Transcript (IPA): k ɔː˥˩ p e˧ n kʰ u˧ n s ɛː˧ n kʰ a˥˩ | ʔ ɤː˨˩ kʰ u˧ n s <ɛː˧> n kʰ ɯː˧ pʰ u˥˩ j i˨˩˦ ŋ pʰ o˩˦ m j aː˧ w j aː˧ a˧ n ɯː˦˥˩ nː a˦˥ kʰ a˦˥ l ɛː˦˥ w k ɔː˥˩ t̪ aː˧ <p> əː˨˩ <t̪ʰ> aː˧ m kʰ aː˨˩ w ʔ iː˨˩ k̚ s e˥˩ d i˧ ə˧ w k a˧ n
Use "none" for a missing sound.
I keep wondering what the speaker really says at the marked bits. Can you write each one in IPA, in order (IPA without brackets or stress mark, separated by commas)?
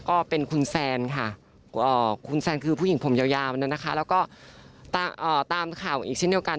ɛː˧, ʔ, t̪